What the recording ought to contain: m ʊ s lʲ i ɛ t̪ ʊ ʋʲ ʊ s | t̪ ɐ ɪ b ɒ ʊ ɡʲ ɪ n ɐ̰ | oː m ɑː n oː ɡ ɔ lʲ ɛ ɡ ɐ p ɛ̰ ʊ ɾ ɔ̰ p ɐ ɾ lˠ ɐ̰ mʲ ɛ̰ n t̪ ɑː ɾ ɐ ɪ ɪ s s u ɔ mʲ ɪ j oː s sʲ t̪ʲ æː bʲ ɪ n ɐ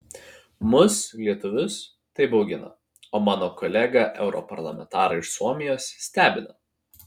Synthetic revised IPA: m ʊ s lʲ i ɛ t̪ ʊ ʋʲ ʊ s | t̪ ɐ ɪ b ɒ ʊ ɡʲ ɪ n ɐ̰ | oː m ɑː n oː k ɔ lʲ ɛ ɡ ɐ ʔ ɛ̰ ʊ ɾ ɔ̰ p ɐ ɾ lˠ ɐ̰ mʲ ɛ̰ n t̪ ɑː ɾ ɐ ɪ ɪ ʃ s u ɔ mʲ ɪ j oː s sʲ t̪ʲ æː bʲ ɪ n ɐ